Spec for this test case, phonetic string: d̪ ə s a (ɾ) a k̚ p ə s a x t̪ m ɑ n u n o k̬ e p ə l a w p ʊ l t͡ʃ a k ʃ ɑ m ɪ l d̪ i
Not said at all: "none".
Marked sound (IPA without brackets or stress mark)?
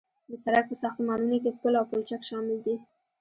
ɾ